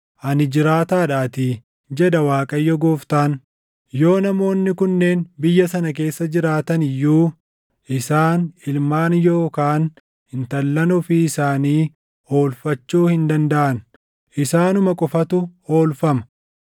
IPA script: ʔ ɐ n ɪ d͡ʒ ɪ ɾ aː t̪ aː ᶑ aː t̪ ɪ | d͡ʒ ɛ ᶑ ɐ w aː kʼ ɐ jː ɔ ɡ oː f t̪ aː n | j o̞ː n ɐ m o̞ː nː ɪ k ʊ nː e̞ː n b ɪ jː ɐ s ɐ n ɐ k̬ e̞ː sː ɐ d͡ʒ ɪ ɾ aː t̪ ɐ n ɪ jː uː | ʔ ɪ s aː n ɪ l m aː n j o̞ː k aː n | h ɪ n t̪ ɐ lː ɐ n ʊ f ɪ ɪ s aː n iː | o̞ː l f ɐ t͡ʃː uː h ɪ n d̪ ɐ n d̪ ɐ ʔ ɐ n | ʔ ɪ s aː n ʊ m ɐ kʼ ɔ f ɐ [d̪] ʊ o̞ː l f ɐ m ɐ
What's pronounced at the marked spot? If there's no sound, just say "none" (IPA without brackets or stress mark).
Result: t̪